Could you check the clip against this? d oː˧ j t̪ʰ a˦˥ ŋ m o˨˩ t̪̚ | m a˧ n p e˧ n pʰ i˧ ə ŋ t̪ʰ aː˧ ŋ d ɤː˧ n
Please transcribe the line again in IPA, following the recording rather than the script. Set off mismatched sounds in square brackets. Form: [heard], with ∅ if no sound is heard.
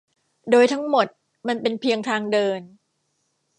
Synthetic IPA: d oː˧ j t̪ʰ a˦˥ ŋ m o˨˩ t̪̚ | m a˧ n p e˧ n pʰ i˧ ə ŋ t̪ʰ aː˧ ŋ d ɤː˧ n

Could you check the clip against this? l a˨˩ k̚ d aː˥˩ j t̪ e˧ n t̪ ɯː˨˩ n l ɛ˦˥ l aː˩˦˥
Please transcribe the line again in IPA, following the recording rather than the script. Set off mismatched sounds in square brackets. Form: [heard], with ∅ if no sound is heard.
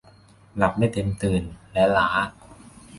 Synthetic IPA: l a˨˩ [p̚] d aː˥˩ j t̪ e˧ [m] t̪ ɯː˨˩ n l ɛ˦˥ l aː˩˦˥

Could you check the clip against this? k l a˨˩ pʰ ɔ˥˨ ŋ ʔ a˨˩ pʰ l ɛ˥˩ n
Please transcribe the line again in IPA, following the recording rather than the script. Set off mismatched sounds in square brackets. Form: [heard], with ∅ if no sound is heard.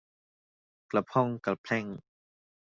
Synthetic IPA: k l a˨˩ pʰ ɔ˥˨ ŋ [k] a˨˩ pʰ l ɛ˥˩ [ŋ]

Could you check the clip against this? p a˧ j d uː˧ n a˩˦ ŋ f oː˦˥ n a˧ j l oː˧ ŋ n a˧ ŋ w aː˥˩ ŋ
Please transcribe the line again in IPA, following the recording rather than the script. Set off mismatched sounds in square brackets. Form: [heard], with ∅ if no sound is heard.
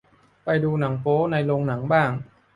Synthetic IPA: p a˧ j d uː˧ n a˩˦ ŋ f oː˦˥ n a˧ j l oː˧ ŋ n [a˩˦] ŋ [b] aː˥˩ ŋ

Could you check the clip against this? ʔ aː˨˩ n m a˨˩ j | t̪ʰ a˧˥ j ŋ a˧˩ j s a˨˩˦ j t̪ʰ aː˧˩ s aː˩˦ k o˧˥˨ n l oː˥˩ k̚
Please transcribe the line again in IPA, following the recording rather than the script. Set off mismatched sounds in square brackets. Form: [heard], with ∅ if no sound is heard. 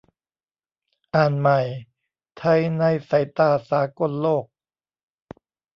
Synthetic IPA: ʔ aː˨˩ n m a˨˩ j | t̪ʰ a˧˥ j [n] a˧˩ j s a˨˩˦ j [t̪] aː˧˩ s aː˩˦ k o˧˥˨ n l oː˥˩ k̚

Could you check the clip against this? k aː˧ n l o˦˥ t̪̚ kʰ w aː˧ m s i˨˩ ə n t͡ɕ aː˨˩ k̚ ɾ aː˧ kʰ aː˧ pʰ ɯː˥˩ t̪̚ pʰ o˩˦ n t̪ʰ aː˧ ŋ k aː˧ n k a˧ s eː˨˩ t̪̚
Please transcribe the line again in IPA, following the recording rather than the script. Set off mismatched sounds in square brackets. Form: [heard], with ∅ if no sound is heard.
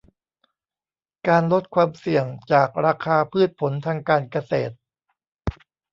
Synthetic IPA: k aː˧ n l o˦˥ t̪̚ kʰ w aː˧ m s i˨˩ ə [ŋ] t͡ɕ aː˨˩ k̚ ɾ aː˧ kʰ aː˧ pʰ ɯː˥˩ t̪̚ pʰ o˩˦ n t̪ʰ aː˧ ŋ k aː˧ n k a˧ s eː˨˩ t̪̚

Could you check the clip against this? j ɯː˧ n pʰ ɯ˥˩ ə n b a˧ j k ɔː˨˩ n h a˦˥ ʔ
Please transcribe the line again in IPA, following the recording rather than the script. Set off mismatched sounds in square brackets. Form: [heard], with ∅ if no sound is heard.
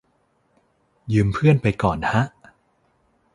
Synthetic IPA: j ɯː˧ [m] pʰ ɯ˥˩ ə n [p] a˧ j k ɔː˨˩ n h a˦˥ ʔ

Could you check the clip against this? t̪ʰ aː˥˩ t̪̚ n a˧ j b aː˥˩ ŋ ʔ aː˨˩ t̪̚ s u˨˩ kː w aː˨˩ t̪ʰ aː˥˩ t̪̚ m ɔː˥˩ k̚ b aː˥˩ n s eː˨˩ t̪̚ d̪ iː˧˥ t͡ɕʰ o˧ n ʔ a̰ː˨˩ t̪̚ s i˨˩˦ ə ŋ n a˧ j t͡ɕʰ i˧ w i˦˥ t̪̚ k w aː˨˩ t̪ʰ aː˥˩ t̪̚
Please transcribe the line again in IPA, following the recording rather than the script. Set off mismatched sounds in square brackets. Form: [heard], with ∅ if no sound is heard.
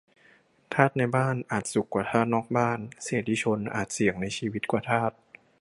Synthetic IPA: t̪ʰ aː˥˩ t̪̚ n a˧ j b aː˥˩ [n] ʔ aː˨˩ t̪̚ s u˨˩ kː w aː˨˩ t̪ʰ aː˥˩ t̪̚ [n] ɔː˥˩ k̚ b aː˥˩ n s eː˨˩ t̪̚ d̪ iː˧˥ t͡ɕʰ o˧ n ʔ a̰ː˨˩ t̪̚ s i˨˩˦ ə ŋ n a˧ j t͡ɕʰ [iː˧] w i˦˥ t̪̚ k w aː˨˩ t̪ʰ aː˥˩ t̪̚

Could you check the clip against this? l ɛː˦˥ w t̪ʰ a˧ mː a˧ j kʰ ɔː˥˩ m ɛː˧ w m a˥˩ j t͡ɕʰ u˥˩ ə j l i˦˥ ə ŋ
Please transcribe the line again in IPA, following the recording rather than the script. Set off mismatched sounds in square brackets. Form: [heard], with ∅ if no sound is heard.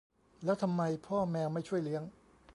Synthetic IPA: l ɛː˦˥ w t̪ʰ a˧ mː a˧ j [pʰ] ɔː˥˩ m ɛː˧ w m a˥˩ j t͡ɕʰ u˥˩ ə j l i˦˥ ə ŋ

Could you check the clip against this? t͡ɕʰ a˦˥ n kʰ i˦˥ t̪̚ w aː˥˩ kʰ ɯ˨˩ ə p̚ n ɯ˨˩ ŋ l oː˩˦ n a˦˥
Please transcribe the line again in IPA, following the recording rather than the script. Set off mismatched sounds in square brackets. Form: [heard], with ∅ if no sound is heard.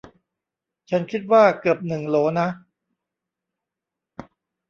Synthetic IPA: t͡ɕʰ a˦˥ n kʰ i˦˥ t̪̚ w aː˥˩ [k] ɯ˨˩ ə p̚ n ɯ˨˩ ŋ l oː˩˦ n a˦˥

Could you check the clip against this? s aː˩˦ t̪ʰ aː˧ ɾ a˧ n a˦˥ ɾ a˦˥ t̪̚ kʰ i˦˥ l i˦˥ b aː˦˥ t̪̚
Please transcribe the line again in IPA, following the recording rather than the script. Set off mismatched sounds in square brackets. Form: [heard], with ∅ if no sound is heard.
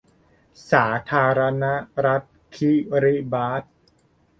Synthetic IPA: s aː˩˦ t̪ʰ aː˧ ɾ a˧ n a˦˥ ɾ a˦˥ t̪̚ kʰ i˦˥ [ɾ] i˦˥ b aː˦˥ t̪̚

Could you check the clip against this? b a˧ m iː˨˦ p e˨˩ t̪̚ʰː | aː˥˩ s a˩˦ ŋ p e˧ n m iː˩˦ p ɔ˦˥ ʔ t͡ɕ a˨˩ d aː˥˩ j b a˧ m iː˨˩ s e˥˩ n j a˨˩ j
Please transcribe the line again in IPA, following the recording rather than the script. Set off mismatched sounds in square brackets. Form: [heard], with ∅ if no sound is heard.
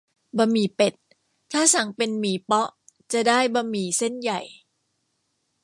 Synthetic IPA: b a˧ m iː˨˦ p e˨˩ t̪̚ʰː | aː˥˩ s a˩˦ ŋ p e˧ n m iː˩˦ p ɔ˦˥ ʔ t͡ɕ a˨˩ d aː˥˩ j b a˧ m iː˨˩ s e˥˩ n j a˨˩ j

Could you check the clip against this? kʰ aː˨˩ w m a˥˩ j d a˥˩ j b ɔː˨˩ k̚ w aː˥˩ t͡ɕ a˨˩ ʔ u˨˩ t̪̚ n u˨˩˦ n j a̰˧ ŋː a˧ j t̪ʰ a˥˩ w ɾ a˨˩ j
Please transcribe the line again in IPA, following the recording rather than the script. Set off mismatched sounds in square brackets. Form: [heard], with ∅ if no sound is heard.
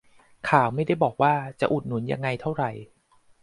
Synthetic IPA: kʰ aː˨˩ w m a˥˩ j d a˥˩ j b ɔː˨˩ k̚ w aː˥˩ t͡ɕ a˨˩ ʔ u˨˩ t̪̚ n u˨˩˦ n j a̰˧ ŋː a˧ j t̪ʰ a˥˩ w ɾ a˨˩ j

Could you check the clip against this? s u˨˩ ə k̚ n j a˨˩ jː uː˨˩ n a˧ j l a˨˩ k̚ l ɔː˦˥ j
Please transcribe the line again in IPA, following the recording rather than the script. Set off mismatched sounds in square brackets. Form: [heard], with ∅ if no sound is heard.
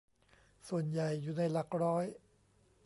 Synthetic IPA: s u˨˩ ə [∅] n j a˨˩ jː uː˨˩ n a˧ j l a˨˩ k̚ [ɾ] ɔː˦˥ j

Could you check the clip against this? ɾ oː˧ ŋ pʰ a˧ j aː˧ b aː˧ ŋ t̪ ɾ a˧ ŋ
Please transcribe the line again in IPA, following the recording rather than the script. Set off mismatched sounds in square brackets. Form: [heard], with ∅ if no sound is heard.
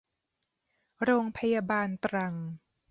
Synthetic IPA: ɾ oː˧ ŋ pʰ a˧ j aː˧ b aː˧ [n] t̪ ɾ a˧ ŋ

